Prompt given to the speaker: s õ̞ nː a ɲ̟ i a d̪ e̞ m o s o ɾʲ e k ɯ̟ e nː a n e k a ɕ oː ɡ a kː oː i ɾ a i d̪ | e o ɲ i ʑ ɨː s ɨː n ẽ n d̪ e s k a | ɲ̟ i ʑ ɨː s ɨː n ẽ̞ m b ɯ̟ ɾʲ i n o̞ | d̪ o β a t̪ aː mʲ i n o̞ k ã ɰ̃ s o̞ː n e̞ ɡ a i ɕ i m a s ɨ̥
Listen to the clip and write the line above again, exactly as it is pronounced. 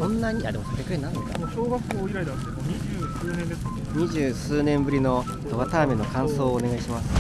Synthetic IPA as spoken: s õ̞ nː a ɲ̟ i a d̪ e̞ m o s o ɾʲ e k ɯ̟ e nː a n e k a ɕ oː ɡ a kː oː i ɾ a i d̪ | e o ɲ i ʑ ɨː s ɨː n ẽ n d̪ e s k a | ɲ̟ i ʑ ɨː s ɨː n ẽ̞ m b ɯ̟ ɾʲ i n o̞ | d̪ o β a t̪ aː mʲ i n o̞ k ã ɰ̃ s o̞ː n e̞ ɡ a i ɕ i m a s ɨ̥